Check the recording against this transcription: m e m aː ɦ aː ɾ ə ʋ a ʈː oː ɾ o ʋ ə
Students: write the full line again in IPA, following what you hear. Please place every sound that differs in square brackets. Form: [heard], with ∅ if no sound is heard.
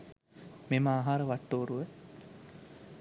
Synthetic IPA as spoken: m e m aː ɦ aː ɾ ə ʋ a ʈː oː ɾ [u] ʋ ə

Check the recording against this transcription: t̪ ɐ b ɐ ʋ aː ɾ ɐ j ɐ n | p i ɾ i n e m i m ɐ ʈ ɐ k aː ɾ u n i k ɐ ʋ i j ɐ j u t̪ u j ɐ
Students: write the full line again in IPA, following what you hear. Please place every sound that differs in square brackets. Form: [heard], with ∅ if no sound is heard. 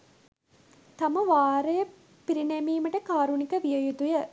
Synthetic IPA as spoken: t̪ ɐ [m] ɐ ʋ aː ɾ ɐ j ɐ [∅] | p i ɾ i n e m [iː] m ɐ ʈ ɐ k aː ɾ u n i k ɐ ʋ i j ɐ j u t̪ u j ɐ

